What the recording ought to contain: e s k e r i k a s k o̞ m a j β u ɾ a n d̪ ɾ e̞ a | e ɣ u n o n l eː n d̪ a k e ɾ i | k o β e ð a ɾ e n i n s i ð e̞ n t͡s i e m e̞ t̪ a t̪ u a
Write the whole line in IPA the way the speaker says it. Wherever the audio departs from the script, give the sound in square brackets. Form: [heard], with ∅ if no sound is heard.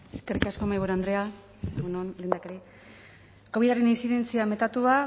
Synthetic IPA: e s k e r i k a s k o̞ m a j β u ɾ a n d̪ ɾ e̞ a | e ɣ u n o n l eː n d̪ a k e ɾ i | k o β [i] ð a ɾ e n i n s i ð e̞ n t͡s i [a] m e̞ t̪ a t̪ u a